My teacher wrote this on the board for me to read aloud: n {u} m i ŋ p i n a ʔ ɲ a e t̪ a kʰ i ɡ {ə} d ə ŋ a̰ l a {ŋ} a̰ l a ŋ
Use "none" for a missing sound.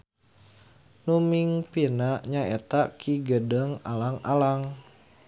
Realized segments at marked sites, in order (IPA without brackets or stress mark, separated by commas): u, ə, ŋ